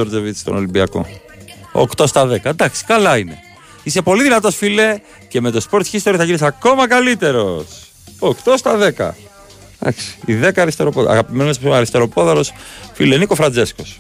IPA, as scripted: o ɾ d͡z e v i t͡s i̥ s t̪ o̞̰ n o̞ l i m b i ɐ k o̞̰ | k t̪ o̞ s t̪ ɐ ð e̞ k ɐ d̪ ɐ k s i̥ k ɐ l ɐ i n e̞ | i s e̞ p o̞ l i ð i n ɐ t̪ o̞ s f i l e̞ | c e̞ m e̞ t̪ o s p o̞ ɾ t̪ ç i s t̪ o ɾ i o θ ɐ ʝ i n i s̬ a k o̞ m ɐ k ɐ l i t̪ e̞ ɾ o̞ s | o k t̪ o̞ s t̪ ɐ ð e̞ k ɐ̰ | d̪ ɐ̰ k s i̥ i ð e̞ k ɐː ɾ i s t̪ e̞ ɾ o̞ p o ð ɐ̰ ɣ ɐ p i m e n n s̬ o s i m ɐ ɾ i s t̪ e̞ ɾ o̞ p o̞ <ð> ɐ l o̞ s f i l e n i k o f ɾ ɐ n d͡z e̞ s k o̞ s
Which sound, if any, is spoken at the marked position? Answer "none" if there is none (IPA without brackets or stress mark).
ð